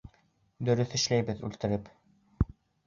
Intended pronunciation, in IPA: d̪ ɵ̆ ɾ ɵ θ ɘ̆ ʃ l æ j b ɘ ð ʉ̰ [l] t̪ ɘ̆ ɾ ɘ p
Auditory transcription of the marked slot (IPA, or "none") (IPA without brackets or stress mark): l